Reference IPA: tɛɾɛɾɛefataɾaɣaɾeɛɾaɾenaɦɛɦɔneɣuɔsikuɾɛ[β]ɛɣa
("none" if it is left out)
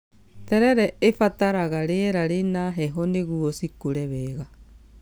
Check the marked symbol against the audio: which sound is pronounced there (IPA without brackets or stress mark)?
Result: β